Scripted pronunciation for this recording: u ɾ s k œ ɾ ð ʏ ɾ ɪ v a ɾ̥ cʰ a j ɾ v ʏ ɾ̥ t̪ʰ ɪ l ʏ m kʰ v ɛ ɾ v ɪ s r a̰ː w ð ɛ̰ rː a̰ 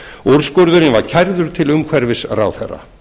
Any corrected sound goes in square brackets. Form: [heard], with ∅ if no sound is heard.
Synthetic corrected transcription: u ɾ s k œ ɾ ð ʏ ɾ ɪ v a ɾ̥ cʰ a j ɾ [ð] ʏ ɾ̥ t̪ʰ ɪ l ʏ m kʰ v ɛ ɾ v ɪ s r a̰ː w [θ] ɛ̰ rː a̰

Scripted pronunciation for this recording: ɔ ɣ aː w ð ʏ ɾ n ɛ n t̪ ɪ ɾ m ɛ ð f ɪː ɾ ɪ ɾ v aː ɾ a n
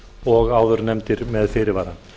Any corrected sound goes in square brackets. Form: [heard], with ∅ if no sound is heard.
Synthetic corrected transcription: ɔ ɣ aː w ð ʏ ɾ n ɛ [m] t̪ ɪ ɾ m ɛ ð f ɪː ɾ ɪ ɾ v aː ɾ a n

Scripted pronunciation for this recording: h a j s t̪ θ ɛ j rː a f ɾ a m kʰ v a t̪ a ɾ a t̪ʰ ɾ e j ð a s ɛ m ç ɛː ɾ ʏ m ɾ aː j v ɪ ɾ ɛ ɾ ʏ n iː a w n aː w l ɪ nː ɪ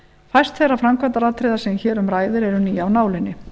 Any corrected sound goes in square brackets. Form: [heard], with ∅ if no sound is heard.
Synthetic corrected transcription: [f] a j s t̪ θ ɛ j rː a f ɾ a m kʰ v a t̪ a ɾ a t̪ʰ ɾ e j ð a s ɛ m ç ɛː ɾ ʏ m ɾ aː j [ð] ɪ ɾ ɛ ɾ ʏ n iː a w n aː w l ɪ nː ɪ

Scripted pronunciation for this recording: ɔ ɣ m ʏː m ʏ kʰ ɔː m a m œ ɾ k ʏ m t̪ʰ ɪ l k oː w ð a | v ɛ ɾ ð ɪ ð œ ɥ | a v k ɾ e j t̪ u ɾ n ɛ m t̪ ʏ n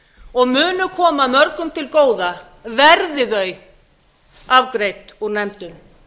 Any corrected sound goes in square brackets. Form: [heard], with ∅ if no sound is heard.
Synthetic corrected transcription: ɔ ɣ m ʏː [n] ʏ kʰ ɔː m a m œ ɾ k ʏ m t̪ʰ ɪ l k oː w ð a | v ɛ ɾ ð ɪ ð œ ɥ | a v k ɾ e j t̪ u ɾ n ɛ m t̪ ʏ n

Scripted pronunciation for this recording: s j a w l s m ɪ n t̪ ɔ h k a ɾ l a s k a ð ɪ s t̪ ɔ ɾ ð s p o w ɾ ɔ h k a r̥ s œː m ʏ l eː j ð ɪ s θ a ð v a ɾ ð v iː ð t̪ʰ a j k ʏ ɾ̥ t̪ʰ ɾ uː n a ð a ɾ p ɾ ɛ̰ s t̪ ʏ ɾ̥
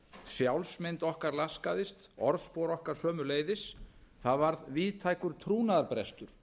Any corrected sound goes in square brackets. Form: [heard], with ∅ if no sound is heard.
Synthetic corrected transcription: s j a w l s m ɪ n t̪ ɔ h k a ɾ l a s k a ð ɪ s t̪ ɔ ɾ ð s p o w ɾ ɔ h k a [ɾ̥] s œː m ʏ l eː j ð ɪ s θ a ð v a ɾ ð v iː ð t̪ʰ a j k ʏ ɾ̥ t̪ʰ ɾ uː n a ð a ɾ p ɾ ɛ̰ s t̪ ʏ ɾ̥

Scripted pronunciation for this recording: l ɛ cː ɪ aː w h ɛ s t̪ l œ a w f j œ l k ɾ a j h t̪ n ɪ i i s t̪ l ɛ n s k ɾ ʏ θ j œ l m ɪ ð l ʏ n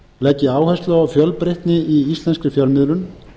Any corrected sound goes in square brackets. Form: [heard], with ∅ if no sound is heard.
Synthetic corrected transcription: l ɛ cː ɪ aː w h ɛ s t̪ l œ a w f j œ l [p] ɾ [e] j h t̪ n ɪ i i s t̪ l ɛ n s k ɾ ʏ [f] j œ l m ɪ ð l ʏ n

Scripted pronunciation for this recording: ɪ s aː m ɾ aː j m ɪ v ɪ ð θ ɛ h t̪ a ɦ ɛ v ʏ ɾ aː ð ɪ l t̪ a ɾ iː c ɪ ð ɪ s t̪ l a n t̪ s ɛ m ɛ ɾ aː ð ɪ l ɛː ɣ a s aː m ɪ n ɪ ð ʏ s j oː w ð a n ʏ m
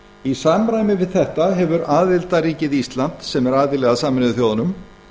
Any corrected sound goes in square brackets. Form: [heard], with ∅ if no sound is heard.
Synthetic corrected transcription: [i] s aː m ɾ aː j m ɪ v ɪ ð θ ɛ h t̪ a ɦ ɛ v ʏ ɾ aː ð ɪ l t̪ a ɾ iː c ɪ ð [i] s t̪ l a n t̪ s ɛ m ɛ ɾ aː ð ɪ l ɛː ɣ a s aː m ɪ n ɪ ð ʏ [θ] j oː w ð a n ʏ m

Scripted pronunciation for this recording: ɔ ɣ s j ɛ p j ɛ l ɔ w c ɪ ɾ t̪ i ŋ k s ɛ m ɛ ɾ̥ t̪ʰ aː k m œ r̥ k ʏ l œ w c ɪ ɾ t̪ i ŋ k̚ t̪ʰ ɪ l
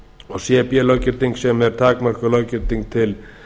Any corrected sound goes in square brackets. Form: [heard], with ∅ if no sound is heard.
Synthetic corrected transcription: ɔ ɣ s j ɛ p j ɛ l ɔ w c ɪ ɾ t̪ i ŋ k s ɛ m ɛ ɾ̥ t̪ʰ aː k m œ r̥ k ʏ l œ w c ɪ ɾ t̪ i ŋ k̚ t̪ʰ ɪ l

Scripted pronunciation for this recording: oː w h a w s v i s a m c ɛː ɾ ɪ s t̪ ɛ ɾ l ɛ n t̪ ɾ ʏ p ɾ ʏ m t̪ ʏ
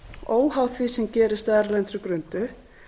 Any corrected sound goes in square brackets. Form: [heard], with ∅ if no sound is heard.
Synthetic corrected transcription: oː w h a w [θ] v i s [ɛ] m c ɛː ɾ ɪ s t̪ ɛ ɾ l ɛ n t̪ ɾ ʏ [k] ɾ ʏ [n] t̪ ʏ

